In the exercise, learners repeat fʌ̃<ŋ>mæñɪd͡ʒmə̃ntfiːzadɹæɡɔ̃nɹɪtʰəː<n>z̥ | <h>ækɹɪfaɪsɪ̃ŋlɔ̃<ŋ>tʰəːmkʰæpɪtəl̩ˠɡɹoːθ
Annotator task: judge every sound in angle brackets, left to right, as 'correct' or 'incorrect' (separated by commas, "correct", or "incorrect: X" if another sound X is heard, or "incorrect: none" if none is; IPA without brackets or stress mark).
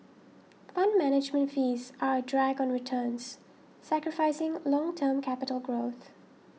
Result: incorrect: n, correct, incorrect: s, correct